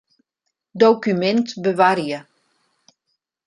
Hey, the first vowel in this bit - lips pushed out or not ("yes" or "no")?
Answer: yes